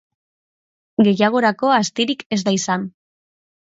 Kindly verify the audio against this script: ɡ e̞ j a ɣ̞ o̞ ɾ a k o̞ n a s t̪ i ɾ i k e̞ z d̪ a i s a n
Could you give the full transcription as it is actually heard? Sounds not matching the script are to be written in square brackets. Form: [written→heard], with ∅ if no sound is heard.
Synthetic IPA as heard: ɡ e̞ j a ɣ̞ o̞ ɾ a k o̞ [n→∅] a s t̪ i ɾ i k e̞ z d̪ a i s a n

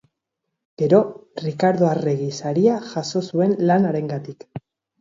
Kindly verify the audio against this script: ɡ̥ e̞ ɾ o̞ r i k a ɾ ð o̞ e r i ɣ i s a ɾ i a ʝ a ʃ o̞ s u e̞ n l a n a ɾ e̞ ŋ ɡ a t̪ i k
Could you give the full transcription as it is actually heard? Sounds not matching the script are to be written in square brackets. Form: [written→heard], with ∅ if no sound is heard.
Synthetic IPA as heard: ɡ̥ e̞ ɾ o̞ r i k a ɾ ð o̞ [e→a] r [i→e] ɣ i s a ɾ i a ʝ a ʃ o̞ s u e̞ n l a n a ɾ e̞ ŋ ɡ a t̪ i k

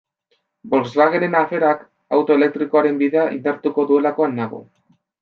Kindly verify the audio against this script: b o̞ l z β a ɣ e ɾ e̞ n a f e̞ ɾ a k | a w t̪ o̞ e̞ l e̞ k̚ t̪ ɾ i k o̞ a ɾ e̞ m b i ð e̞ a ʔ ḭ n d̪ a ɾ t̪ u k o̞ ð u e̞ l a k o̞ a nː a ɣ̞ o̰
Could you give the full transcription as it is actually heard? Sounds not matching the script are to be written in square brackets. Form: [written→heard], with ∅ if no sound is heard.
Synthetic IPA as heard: b o̞ l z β a ɣ e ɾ e̞ n a f e̞ ɾ a k | a w t̪ o̞ e̞ l e̞ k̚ t̪ ɾ i k o̞ a ɾ e̞ m b i ð e̞ a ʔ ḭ n d̪ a ɾ t̪ u k o̞ ð u e̞ l a k o̞ a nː a ɣ̞ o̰

